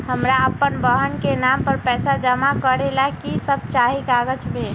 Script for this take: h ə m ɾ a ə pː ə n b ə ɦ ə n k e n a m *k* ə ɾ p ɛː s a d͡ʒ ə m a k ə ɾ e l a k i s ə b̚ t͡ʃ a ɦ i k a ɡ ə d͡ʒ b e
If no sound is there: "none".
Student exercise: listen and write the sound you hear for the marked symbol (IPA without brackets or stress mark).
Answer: p